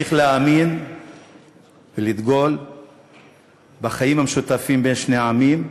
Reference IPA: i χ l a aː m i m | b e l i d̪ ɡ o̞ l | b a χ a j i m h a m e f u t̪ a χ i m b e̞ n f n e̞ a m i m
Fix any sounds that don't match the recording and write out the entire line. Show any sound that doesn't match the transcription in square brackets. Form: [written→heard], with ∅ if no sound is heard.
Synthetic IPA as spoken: i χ l [a→e] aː m i [m→n] | [b→v] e l i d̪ ɡ o̞ l | b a χ a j i m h a m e [f→ʃ] u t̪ a [χ→f] i m b e̞ n [f→ʃ] n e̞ a m i m